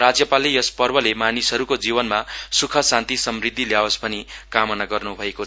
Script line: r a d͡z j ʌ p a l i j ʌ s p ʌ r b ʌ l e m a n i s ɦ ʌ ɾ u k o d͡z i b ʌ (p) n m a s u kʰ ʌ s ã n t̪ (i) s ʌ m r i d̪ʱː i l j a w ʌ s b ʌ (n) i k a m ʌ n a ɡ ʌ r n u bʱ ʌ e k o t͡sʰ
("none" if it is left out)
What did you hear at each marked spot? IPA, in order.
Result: none, i, n

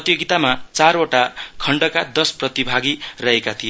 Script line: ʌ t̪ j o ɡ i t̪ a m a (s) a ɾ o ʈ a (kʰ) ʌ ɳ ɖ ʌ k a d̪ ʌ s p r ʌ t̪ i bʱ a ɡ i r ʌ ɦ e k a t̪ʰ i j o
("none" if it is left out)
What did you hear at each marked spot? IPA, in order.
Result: t͡s, kʰ

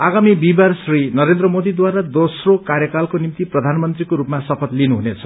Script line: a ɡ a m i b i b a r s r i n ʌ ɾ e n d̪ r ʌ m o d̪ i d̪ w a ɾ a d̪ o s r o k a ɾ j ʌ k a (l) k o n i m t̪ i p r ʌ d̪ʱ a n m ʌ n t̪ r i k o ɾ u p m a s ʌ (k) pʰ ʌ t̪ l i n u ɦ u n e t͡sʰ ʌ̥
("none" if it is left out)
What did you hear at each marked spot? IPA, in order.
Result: l, none

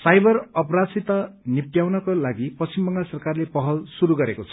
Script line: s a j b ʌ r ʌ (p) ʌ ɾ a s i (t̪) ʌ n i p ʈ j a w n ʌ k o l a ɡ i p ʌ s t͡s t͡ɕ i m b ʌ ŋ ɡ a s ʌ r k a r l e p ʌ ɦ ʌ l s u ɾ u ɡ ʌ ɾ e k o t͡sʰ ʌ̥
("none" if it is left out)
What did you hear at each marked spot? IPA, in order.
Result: p, t̪

